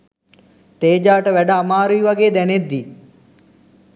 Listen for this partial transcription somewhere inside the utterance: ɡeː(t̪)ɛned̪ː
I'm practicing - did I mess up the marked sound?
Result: yes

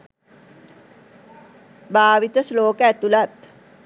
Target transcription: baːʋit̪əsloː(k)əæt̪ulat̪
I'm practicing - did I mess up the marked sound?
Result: no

